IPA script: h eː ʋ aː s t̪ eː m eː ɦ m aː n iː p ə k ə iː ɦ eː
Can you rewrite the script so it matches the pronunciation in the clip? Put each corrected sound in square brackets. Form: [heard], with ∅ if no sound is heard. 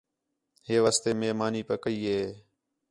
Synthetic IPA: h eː ʋ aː s t̪ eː m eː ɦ m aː n iː p ə k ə iː ɦ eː